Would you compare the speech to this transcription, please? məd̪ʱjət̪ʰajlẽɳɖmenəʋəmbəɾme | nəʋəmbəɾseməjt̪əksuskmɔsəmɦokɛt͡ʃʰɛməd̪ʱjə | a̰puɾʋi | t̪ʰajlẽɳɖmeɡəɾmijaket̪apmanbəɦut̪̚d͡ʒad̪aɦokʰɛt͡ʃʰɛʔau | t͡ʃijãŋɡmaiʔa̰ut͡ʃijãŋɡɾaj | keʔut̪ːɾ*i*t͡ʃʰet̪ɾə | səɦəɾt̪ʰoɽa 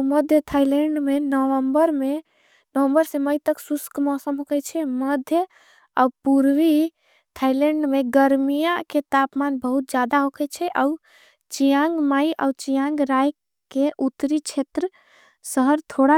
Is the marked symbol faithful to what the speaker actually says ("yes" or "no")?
yes